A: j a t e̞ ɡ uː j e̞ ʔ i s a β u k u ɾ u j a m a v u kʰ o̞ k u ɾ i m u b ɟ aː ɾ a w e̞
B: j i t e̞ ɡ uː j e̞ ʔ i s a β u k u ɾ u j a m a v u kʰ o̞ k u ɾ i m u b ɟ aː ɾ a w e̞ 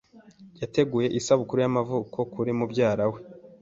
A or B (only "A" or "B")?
A